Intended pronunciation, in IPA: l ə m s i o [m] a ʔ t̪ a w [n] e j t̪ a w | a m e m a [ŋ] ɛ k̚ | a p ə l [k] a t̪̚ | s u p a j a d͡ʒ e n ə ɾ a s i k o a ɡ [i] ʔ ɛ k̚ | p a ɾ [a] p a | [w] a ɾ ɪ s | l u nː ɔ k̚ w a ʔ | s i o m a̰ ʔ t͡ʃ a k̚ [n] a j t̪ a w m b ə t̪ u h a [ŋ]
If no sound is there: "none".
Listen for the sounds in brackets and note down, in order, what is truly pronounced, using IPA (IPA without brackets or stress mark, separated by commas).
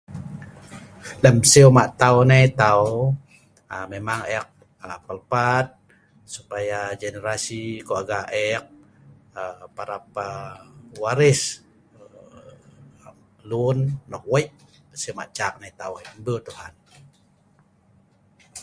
m, n, ŋ, p, a, a, w, n, n